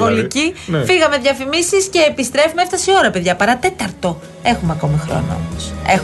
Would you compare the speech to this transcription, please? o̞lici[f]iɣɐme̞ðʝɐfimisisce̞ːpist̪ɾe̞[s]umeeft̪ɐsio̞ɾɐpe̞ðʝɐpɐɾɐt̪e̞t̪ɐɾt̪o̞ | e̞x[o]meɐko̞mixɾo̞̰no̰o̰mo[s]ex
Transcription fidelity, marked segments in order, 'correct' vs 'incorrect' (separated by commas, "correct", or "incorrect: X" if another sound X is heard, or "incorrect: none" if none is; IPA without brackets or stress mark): correct, incorrect: f, incorrect: u, correct